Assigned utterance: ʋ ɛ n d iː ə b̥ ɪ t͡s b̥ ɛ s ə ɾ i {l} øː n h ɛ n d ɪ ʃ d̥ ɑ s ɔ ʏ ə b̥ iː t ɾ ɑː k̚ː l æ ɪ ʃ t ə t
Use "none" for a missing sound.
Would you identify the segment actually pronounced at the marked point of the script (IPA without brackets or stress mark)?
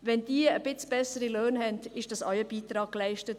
l